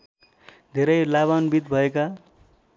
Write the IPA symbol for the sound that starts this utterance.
d̪ʱ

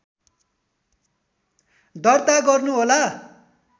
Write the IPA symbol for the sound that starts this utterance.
d̪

